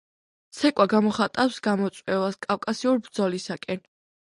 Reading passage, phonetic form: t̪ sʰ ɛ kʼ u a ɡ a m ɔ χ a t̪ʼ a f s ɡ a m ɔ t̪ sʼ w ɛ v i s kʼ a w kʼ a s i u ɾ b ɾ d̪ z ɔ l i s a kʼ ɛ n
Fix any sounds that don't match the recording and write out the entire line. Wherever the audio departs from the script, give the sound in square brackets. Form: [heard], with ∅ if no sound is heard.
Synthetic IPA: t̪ sʰ ɛ kʼ [w] a ɡ a m ɔ χ a t̪ʼ a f s ɡ a m ɔ t̪ sʼ w ɛ v [a] s kʼ a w kʼ a s i u ɾ b ɾ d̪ z ɔ l i s a kʼ ɛ n

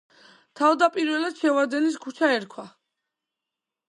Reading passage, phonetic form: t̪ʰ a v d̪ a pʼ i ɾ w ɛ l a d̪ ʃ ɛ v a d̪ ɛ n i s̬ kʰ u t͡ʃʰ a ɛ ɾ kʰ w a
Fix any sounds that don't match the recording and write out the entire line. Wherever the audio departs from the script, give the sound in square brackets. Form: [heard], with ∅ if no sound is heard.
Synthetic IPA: t̪ʰ a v d̪ a pʼ i ɾ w ɛ l a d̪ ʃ ɛ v a d̪ ɛ n i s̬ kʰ u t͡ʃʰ a ɛ ɾ kʰ w a

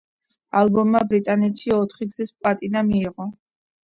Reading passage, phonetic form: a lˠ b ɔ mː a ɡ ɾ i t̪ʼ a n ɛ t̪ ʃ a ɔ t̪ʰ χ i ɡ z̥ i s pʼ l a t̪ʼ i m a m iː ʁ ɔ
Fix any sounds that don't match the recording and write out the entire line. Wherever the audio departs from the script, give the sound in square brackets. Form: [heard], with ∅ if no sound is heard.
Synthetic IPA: a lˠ b ɔ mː a [b] ɾ i t̪ʼ a n ɛ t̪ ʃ [i] ɔ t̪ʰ χ i ɡ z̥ i s pʼ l a t̪ʼ i [n] a m iː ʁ ɔ

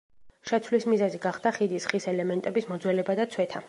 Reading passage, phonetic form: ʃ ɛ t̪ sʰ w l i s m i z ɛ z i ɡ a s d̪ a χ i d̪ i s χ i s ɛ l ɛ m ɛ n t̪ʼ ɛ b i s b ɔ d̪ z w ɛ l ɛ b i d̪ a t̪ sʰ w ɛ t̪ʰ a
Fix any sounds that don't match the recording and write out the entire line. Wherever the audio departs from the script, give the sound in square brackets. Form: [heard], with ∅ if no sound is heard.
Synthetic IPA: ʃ ɛ t̪ sʰ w l i s m i z ɛ z i ɡ a [χ] d̪ a χ i d̪ i s χ i s ɛ l ɛ m ɛ n t̪ʼ ɛ b i s [m] ɔ d̪ z w ɛ l ɛ b [a] d̪ a t̪ sʰ w ɛ t̪ʰ a

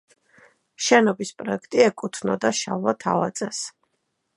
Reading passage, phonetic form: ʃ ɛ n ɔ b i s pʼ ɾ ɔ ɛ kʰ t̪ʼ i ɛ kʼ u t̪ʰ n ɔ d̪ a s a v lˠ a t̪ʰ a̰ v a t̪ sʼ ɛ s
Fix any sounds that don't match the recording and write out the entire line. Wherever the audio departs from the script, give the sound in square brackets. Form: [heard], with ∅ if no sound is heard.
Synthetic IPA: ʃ ɛ n ɔ b i s pʼ ɾ ɔ ɛ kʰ t̪ʼ i ɛ kʼ u t̪ʰ n ɔ d̪ a [ʃ] a v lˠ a t̪ʰ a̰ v a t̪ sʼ ɛ s

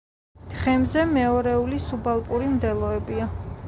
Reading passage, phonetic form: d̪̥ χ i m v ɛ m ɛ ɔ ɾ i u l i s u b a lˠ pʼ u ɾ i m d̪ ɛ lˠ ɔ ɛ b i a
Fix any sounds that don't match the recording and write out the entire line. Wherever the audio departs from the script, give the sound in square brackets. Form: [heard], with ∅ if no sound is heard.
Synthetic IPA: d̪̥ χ [ɛ] m [z] ɛ m ɛ ɔ ɾ [ɛ] u l i s u b a lˠ pʼ u ɾ i m d̪ ɛ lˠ ɔ ɛ b i a

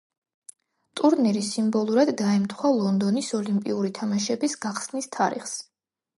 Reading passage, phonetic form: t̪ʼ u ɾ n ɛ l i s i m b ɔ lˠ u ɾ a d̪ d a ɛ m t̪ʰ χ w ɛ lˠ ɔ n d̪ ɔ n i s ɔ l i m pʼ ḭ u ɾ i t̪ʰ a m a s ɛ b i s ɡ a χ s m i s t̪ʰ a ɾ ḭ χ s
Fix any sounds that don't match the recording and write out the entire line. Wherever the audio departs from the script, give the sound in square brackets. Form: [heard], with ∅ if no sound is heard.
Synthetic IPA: t̪ʼ u ɾ n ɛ [ɾ] i s i m b ɔ lˠ u ɾ a d̪ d a ɛ m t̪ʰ χ w [a] lˠ ɔ n d̪ ɔ n i s ɔ l i m pʼ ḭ u ɾ i t̪ʰ a m a [ʃ] ɛ b i s ɡ a χ s [n] i s t̪ʰ a ɾ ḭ χ s

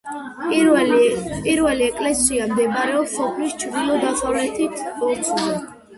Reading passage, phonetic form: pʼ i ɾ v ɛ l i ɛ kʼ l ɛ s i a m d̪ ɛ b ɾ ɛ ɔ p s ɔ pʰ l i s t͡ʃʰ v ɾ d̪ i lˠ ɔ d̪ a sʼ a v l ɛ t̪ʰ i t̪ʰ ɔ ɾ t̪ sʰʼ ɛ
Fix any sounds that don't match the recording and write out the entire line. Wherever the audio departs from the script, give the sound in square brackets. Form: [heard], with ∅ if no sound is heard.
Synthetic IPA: pʼ i ɾ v ɛ l i ɛ kʼ l ɛ s i a m d̪ ɛ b ɾ ɛ ɔ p s ɔ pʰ l i s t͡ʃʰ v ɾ d̪ i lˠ ɔ d̪ a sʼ a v l ɛ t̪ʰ i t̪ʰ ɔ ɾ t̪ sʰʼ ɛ

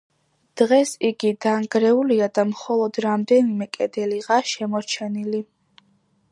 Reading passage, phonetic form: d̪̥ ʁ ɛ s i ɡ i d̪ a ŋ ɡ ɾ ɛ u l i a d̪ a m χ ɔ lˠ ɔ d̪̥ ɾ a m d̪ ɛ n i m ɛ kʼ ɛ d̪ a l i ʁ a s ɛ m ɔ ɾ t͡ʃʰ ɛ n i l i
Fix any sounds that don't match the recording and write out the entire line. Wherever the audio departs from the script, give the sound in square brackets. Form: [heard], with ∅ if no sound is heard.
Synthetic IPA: d̪̥ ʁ ɛ s i ɡ i d̪ a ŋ ɡ ɾ ɛ u l i a d̪ a m χ ɔ lˠ ɔ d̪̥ ɾ a m d̪ ɛ n i m ɛ kʼ ɛ d̪ [ɛ] l i ʁ a [ʃ] ɛ m ɔ ɾ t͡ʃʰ ɛ n i l i

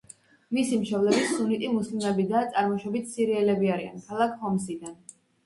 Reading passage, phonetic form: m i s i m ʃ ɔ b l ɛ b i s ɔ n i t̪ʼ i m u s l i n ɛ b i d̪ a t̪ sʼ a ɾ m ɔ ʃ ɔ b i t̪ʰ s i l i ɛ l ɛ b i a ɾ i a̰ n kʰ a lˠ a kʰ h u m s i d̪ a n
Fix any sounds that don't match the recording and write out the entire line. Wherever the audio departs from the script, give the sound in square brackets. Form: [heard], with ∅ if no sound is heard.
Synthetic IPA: m i s i m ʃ ɔ b l ɛ b i s [u] n i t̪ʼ i m u s l i [m] ɛ b i d̪ a t̪ sʼ a ɾ m ɔ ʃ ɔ b i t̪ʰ s i [ɾ] i ɛ l ɛ b i a ɾ i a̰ n kʰ a lˠ a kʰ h [ɔ] m s i d̪ a n

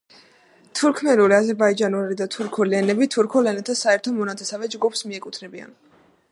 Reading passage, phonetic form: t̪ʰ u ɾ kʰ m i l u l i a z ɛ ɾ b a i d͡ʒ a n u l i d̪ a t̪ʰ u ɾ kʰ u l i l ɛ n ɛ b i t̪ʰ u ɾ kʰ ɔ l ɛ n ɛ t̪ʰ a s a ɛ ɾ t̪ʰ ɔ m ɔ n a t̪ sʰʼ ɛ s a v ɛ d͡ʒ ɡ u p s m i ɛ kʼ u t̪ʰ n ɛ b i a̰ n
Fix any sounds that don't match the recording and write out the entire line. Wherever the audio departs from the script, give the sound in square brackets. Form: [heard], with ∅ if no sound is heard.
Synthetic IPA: t̪ʰ u ɾ kʰ m [ɛ] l u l i a z ɛ ɾ b a i d͡ʒ a n u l i d̪ a t̪ʰ u ɾ kʰ u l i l ɛ n ɛ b i t̪ʰ u ɾ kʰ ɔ l ɛ n ɛ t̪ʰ a s a ɛ ɾ t̪ʰ ɔ m ɔ n a t̪ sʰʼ ɛ s a v ɛ d͡ʒ ɡ u p s m i ɛ kʼ u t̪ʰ n ɛ b i a̰ n

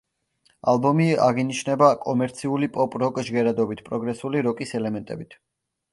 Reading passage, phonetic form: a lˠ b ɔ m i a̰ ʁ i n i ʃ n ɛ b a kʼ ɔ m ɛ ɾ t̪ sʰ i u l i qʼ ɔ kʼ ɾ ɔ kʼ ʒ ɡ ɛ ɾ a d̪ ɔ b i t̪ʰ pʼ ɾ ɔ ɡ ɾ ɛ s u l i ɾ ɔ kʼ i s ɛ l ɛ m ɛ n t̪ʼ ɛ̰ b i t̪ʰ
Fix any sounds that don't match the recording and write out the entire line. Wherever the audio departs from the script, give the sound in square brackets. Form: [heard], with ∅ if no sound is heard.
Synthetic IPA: a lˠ b ɔ m i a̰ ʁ i n i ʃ n ɛ b a kʼ ɔ m ɛ ɾ t̪ sʰ i u l i [pʼ] ɔ [pʼ] ɾ ɔ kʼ ʒ ɡ ɛ ɾ a d̪ ɔ b i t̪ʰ pʼ ɾ ɔ ɡ ɾ ɛ s u l i ɾ ɔ kʼ i s ɛ l ɛ m ɛ n t̪ʼ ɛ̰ b i t̪ʰ

